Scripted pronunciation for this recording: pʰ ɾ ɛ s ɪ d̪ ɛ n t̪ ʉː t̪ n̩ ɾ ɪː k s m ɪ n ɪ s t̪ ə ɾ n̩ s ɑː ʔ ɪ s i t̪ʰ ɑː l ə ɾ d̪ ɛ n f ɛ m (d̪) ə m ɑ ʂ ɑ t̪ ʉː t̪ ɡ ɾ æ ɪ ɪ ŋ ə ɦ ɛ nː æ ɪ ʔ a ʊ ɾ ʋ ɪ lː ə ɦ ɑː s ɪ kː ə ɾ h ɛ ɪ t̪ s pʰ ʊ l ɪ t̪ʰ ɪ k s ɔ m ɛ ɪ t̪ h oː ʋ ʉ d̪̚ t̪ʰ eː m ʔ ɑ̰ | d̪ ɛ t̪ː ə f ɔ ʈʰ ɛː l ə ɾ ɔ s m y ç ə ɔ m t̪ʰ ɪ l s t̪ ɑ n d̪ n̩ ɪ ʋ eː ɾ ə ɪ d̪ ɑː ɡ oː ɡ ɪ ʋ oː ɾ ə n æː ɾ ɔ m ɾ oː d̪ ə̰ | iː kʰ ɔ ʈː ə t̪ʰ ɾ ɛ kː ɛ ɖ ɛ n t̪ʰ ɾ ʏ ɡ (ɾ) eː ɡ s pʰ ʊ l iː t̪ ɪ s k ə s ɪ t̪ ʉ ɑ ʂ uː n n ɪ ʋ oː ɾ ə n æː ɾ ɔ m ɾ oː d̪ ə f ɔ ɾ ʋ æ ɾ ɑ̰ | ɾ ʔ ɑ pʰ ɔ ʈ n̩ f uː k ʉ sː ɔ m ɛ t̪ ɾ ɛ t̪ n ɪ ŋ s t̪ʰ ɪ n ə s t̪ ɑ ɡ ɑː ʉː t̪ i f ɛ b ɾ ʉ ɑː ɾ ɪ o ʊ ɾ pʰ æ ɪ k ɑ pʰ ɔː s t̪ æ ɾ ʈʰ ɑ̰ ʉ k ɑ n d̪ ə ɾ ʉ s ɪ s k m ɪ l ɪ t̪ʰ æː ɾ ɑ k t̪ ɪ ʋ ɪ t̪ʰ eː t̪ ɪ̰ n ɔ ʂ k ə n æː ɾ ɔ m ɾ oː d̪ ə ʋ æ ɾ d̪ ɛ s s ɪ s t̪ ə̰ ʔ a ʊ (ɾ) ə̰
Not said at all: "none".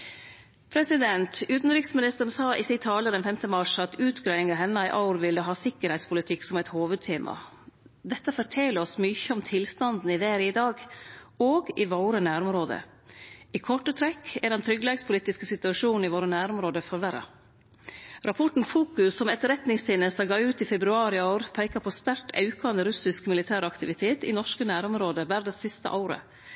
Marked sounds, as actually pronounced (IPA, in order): t̪, l, ɾ

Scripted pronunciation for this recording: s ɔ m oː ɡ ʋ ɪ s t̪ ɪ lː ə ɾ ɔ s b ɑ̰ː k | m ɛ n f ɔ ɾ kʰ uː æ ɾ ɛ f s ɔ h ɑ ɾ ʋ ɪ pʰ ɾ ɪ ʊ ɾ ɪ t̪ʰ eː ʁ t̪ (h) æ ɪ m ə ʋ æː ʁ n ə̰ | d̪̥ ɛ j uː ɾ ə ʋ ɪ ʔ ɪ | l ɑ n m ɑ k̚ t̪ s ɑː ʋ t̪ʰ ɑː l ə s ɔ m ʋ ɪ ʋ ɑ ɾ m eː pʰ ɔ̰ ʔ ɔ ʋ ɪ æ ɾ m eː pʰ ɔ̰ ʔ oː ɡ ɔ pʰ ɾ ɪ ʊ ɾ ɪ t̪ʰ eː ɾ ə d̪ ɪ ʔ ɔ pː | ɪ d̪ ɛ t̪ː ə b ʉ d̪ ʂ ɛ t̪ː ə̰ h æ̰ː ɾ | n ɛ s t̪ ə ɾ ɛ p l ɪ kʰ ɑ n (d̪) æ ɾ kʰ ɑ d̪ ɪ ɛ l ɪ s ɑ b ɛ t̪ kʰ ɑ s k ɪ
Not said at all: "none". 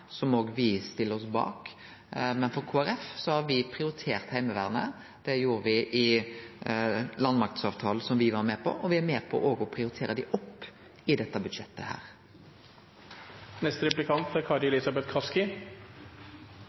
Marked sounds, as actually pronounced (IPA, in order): h, t̪

